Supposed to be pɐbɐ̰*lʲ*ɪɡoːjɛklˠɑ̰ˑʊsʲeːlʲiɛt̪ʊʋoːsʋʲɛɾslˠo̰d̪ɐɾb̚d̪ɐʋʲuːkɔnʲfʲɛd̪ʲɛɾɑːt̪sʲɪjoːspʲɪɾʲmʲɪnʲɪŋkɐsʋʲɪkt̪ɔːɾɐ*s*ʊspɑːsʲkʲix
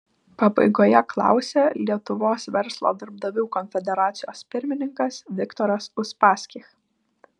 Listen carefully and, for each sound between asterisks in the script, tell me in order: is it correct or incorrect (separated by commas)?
incorrect, correct